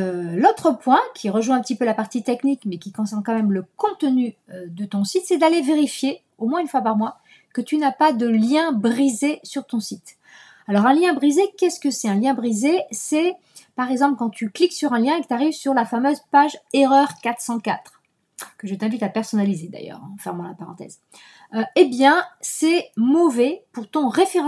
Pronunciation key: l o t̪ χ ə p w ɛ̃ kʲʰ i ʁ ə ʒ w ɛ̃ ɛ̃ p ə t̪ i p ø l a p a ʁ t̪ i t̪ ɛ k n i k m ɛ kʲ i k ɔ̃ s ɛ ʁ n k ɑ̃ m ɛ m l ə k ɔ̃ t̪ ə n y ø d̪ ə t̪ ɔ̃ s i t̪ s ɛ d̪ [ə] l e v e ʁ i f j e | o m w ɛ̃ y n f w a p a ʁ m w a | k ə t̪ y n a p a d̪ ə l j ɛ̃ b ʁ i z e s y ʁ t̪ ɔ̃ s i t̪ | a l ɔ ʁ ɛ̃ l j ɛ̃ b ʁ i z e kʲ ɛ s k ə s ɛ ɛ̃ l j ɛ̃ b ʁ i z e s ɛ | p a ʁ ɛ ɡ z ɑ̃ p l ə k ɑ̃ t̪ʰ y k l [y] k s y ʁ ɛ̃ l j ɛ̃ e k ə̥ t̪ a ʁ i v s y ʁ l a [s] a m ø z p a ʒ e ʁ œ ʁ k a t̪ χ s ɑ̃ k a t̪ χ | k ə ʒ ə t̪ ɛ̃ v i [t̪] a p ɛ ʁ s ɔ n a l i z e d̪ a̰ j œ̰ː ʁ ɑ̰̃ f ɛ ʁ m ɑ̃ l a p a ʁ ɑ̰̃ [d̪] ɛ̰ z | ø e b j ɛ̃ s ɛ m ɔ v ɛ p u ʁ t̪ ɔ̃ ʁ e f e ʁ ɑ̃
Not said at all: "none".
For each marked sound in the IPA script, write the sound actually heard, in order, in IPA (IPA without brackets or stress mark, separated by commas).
a, i, f, t̪, t̪